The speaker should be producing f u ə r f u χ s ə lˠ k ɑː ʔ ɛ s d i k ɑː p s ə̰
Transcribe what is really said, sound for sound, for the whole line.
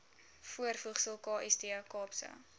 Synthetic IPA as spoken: f u ə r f u χ s ə lˠ k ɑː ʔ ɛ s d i k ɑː p s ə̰